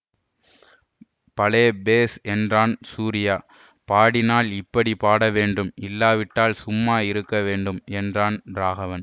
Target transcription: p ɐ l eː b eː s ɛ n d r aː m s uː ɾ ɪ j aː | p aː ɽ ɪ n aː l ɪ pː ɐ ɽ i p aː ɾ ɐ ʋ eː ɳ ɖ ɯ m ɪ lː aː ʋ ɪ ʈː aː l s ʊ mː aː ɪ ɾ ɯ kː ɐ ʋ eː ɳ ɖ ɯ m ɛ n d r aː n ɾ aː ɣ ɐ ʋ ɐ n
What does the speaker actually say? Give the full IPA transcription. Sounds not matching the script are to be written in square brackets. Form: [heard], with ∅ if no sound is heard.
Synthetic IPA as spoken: p ɐ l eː b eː s ɛ n d r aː [n] s uː ɾ ɪ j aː | p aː ɽ ɪ n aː l ɪ pː ɐ ɽ i p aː [ɽ] ɐ ʋ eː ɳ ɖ ɯ m ɪ lː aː ʋ ɪ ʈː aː l s ʊ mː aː ɪ ɾ ɯ kː ɐ ʋ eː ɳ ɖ ɯ m ɛ n d r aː n ɾ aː ɣ ɐ ʋ ɐ n